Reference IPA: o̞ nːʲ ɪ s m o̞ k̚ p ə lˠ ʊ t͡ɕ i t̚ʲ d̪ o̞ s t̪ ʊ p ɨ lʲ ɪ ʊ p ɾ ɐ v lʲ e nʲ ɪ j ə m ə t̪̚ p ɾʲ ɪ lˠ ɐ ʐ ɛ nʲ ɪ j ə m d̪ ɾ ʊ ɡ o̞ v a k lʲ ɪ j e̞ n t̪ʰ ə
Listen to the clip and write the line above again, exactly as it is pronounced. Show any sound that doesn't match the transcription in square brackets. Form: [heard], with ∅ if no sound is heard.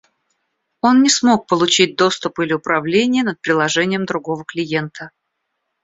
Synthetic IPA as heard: o̞ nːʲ ɪ s m o̞ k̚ p ə lˠ ʊ t͡ɕ i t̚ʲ d̪ o̞ s t̪ ʊ p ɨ lʲ ɪ ʊ p ɾ ɐ v lʲ e nʲ ɪ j ə [n] ə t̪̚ p ɾʲ ɪ lˠ ɐ ʐ ɛ nʲ ɪ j ə m d̪ ɾ ʊ ɡ o̞ v [ə] k lʲ ɪ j e̞ n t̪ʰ ə